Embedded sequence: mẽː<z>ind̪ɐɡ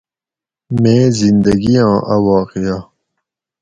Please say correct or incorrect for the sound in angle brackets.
correct